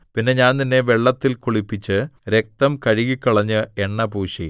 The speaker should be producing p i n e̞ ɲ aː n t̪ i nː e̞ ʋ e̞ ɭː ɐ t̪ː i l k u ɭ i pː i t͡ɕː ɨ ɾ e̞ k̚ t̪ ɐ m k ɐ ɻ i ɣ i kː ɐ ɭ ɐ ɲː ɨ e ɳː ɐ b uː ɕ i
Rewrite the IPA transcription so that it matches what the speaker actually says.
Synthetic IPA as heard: p i nː e̞ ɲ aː n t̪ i nː e̞ ʋ e̞ ɭː ɐ t̪ː i l k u ɭ i pː i t͡ɕː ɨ ɾ e̞ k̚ t̪ ɐ m k ɐ ɻ i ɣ i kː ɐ ɭ ɐ ɲː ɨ e ɳː ɐ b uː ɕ i